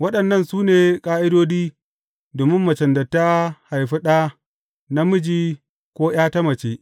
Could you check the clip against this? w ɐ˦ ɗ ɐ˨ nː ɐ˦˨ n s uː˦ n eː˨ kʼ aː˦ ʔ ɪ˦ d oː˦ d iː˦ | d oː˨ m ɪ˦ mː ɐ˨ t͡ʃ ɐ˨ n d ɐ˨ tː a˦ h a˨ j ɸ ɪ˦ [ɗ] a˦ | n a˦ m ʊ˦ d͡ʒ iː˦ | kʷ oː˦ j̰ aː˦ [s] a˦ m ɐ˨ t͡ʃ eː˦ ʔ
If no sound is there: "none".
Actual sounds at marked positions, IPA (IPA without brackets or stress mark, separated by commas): ɗ, t